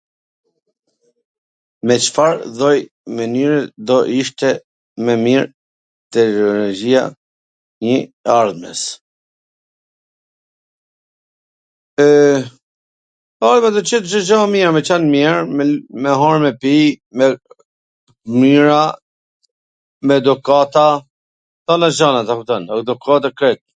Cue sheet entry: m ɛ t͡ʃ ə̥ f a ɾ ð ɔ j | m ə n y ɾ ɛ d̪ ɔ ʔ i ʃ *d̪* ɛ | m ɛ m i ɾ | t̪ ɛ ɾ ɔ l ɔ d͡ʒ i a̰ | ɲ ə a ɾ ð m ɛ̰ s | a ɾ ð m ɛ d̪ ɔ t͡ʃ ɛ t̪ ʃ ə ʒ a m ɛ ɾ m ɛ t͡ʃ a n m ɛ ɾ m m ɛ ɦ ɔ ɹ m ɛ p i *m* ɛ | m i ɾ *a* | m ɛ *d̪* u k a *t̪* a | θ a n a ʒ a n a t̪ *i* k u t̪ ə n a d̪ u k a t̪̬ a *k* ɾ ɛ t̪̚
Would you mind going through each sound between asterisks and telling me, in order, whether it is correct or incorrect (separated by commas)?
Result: incorrect, correct, correct, correct, correct, incorrect, correct